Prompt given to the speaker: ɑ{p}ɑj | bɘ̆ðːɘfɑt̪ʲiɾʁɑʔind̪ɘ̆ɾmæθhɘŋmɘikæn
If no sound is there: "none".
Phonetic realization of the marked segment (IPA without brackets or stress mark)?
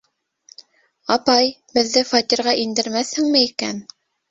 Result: p